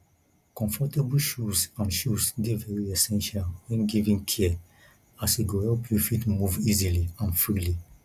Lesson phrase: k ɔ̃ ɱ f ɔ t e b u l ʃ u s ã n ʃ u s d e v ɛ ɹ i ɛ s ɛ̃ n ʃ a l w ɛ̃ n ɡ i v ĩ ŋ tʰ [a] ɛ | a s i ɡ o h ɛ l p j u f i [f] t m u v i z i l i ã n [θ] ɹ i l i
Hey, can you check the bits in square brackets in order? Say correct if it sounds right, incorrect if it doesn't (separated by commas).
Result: incorrect, incorrect, incorrect